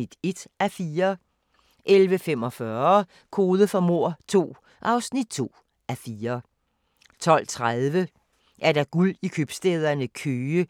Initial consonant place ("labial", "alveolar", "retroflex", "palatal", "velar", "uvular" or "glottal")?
alveolar